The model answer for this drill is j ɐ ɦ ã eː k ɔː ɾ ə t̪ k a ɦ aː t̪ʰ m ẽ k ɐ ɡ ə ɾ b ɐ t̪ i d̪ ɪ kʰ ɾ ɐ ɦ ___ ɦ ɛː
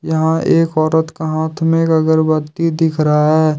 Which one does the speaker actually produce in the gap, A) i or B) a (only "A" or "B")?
B